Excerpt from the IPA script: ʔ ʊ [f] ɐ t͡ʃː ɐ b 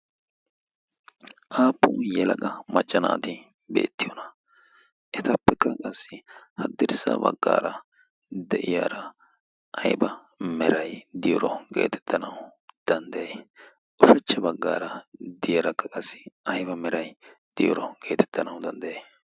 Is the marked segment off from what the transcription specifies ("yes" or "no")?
no